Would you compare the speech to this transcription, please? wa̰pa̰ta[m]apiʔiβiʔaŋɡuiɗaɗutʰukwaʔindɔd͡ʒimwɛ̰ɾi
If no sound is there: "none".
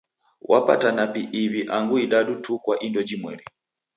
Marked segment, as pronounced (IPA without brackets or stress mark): n